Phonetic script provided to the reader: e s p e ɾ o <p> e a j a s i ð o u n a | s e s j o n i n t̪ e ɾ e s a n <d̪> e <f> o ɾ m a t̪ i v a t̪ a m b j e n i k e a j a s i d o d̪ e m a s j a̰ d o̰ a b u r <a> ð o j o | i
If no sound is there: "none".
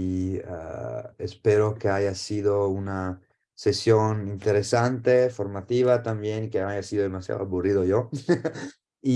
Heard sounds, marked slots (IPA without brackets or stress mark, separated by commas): k, t̪, f, i